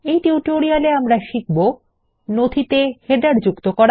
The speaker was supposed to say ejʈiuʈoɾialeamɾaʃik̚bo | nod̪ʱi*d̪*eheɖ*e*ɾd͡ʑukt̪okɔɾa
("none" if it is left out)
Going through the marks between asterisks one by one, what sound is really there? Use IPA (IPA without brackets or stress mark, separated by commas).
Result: t̪, a